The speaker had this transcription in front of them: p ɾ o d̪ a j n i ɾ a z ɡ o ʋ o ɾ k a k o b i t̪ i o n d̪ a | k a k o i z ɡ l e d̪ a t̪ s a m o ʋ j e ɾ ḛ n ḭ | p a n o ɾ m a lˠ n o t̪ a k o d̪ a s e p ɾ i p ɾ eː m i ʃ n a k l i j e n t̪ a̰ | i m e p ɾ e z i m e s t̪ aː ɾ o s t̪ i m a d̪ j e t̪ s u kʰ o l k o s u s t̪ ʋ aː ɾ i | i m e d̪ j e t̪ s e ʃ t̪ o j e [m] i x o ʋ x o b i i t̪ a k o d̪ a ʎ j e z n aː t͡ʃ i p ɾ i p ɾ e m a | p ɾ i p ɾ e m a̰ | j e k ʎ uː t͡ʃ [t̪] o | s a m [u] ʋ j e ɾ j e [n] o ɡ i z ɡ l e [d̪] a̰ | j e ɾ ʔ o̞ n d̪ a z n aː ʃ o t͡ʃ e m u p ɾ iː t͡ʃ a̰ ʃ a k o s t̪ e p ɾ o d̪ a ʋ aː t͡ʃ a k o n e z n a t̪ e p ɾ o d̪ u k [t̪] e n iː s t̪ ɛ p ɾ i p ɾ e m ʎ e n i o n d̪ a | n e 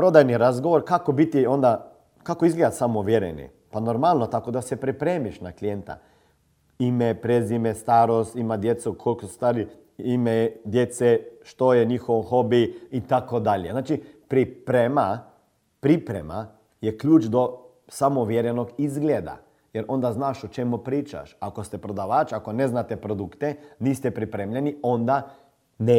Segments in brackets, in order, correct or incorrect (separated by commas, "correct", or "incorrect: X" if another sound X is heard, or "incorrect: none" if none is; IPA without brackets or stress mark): incorrect: ɲ, incorrect: d̪, incorrect: o, correct, correct, correct